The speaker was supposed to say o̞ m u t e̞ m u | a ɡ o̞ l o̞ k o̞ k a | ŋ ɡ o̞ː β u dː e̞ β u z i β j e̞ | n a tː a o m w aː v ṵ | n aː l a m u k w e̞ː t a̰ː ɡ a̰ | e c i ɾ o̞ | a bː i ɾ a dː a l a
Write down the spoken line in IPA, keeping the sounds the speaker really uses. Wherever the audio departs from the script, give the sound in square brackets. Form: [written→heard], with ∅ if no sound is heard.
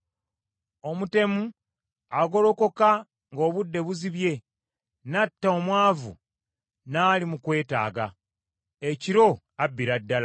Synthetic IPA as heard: o̞ m u t e̞ m u | a ɡ o̞ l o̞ k o̞ k a | ŋ ɡ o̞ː β u dː e̞ β u z i β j e̞ | n a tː a o m w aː v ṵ | n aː l [a→i] m u k w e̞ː t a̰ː ɡ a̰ | e c i ɾ o̞ | a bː i ɾ a dː a l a

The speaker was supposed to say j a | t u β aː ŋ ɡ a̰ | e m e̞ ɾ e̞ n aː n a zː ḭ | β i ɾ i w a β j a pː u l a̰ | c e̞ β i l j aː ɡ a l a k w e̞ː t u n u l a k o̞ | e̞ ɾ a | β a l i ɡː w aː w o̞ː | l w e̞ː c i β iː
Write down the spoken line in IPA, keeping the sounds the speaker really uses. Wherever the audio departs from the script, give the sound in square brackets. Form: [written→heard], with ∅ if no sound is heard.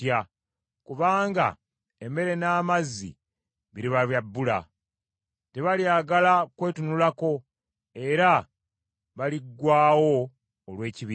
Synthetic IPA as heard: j a | [t→k] u β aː ŋ ɡ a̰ | e m e̞ ɾ e̞ n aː [n→m] a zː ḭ | β i ɾ i [w→β] a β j a [pː→bː] u l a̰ | [c→t] e̞ β [i→a] l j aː ɡ a l a k w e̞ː t u n u l a k o̞ | e̞ ɾ a | β a l i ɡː w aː w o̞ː | l w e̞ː c i β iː

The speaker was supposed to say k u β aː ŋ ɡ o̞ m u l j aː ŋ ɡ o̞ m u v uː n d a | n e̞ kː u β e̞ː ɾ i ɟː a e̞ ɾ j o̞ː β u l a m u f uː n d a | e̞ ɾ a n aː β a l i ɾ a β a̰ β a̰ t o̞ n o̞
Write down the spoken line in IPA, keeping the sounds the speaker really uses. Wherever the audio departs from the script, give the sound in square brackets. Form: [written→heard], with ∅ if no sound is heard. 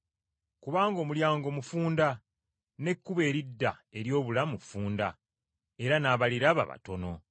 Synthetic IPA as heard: k u β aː ŋ ɡ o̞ m u l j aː ŋ ɡ o̞ m u [v→f] uː n d a | n e̞ kː u β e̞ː ɾ i [ɟː→dː] a e̞ ɾ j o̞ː β u l a m u f uː n d a | e̞ ɾ a n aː β a l i ɾ a β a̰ β a̰ t o̞ n o̞

